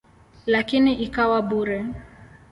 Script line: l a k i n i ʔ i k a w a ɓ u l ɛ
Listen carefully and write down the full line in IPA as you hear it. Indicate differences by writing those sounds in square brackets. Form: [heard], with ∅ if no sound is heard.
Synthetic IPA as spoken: l a k i n i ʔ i k a w a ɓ u [ɾ] ɛ